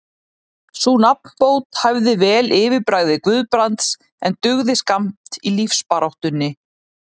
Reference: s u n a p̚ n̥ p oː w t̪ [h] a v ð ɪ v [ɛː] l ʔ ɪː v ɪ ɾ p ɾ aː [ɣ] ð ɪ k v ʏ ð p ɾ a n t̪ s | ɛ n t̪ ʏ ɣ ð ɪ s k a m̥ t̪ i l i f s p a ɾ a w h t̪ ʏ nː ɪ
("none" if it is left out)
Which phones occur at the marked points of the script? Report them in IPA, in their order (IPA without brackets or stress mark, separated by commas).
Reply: h, ɛː, ɣ